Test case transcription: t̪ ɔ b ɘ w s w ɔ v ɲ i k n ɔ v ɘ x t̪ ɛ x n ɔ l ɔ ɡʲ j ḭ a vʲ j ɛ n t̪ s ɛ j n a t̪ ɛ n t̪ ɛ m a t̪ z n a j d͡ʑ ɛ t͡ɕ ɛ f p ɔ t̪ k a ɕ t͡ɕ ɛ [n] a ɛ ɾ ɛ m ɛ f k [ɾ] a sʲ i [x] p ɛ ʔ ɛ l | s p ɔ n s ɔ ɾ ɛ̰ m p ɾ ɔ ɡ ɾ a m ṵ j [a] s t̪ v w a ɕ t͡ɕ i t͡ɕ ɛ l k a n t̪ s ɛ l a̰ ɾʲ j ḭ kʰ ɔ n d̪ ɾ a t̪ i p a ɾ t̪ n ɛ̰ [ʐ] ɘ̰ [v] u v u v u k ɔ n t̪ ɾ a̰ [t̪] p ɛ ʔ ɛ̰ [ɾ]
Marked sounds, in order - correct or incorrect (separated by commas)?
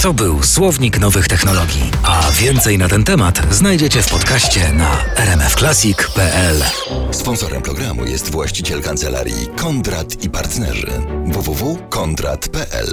correct, incorrect, incorrect, incorrect, correct, correct, correct, incorrect